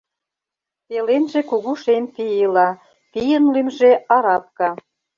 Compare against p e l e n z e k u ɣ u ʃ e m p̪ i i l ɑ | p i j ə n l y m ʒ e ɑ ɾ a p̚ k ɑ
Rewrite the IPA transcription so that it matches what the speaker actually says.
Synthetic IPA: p e l e n ʒ e k u ɣ u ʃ e m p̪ i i l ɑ | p i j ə n l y m ʒ e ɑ ɾ ɑ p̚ k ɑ